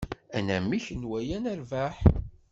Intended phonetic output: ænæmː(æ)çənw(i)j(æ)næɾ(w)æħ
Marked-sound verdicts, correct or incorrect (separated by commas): incorrect, incorrect, correct, incorrect